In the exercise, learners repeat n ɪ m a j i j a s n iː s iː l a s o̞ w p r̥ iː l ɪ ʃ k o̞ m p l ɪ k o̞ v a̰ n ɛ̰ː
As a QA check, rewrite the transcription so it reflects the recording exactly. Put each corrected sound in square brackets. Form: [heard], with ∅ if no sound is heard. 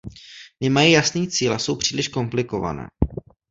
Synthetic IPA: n ɪ m a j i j a s n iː [t͡s] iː l a s o̞ w p r̥ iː l ɪ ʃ k o̞ m p l ɪ k o̞ v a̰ n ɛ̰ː